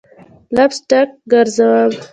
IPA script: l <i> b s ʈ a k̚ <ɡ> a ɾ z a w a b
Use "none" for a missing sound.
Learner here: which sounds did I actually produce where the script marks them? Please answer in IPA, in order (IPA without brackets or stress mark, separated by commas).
a, ɡ